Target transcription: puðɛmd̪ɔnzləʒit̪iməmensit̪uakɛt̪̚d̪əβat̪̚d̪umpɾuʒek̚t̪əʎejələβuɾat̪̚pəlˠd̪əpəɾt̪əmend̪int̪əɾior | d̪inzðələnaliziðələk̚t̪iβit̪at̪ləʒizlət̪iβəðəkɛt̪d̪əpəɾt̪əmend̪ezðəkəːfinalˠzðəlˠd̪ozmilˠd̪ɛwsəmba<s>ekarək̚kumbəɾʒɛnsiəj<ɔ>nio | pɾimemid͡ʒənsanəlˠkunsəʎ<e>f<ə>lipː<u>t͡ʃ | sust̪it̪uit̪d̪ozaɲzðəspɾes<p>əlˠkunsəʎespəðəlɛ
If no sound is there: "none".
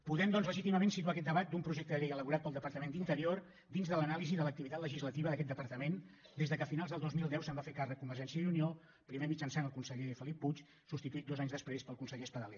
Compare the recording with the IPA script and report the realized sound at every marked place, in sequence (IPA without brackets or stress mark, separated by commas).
f, u, e, ə, u, p